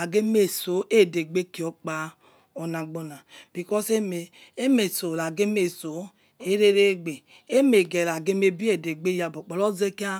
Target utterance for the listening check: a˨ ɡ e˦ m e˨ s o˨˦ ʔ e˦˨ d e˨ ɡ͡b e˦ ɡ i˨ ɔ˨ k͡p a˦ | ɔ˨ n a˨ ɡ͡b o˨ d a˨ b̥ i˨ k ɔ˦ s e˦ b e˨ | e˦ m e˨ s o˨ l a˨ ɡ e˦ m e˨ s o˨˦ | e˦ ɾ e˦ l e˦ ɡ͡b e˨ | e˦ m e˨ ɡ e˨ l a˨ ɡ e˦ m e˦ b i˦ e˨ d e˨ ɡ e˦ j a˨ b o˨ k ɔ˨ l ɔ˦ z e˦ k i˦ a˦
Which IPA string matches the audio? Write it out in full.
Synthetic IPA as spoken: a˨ ɡ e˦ m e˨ s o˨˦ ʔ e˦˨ d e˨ ɡ͡b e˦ k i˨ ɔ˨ k͡p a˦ | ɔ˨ n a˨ ɡ͡b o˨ n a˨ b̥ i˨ k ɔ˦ s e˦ m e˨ | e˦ m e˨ s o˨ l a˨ ɡ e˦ m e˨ s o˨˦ | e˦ ɾ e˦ ɾ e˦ ɡ͡b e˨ | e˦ m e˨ ɡ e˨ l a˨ ɡ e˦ m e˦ b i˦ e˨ d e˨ ɡ͡b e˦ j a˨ b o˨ k͡p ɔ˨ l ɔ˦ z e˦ k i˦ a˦

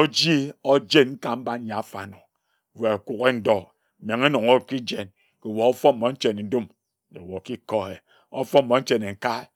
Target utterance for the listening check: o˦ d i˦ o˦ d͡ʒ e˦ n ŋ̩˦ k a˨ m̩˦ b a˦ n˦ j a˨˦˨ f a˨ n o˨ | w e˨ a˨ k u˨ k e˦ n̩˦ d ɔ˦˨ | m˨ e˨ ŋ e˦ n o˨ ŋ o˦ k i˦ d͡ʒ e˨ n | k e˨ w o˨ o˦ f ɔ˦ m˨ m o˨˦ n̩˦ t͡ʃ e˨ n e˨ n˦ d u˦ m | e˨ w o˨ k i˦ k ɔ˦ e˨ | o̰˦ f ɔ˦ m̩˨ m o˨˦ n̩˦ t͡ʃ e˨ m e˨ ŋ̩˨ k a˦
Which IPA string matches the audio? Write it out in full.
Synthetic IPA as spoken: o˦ d͡ʒ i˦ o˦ d͡ʒ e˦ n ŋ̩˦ k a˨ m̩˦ b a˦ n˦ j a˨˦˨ f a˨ n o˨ | w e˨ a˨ k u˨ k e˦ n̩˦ d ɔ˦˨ | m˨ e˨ ŋ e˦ n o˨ ŋ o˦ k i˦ d͡ʒ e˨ n | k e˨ w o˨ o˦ f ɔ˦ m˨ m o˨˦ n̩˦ t͡ʃ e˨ n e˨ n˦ d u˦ m | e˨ w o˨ k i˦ k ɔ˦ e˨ | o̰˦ f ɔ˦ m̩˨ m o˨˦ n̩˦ t͡ʃ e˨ n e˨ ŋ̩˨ k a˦

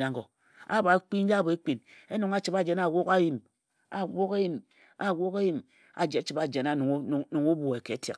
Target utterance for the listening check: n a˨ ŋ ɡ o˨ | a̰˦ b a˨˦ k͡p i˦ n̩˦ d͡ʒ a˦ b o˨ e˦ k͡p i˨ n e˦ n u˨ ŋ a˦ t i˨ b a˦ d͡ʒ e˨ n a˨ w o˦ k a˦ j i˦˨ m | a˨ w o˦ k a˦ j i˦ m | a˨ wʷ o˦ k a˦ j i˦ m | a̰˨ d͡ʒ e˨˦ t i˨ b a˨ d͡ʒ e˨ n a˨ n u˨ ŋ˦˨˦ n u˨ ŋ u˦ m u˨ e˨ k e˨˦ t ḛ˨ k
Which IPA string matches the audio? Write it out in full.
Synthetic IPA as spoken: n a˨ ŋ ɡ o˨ | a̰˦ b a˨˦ k͡p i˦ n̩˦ d͡ʒ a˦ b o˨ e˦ k͡p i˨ n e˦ n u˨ ŋ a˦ t͡ʃ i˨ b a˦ d͡ʒ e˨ n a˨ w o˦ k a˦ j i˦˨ m | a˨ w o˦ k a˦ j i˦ m | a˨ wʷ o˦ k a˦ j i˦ m | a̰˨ d͡ʒ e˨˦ t͡ʃ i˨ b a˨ d͡ʒ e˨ n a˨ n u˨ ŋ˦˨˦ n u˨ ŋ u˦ b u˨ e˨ k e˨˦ t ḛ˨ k

